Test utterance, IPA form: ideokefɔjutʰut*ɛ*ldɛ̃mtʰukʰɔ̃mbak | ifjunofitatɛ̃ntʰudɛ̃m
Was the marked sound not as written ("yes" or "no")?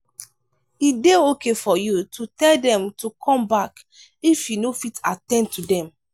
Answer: no